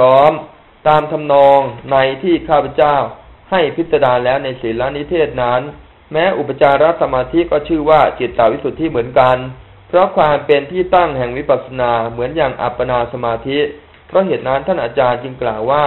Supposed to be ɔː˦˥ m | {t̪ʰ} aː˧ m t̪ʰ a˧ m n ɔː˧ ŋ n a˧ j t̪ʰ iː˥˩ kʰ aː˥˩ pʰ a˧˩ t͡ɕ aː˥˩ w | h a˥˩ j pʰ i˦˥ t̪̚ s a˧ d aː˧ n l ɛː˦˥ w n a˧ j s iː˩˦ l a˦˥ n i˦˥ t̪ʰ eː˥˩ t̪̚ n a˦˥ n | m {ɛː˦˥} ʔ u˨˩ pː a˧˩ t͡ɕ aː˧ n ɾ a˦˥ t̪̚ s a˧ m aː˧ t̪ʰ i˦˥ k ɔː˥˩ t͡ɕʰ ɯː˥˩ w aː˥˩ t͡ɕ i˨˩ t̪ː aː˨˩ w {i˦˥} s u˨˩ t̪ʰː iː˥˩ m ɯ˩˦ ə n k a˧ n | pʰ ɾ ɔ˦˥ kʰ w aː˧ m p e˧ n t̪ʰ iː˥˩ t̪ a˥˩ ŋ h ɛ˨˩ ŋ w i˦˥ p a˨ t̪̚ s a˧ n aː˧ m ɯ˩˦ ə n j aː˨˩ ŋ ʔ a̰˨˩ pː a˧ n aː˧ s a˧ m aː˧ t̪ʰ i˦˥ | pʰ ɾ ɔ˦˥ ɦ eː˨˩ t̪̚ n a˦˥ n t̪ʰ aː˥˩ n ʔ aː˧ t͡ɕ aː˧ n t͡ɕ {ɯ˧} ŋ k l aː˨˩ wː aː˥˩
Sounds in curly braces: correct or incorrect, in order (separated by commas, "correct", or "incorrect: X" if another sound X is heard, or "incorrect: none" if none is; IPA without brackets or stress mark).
incorrect: t̪, correct, correct, correct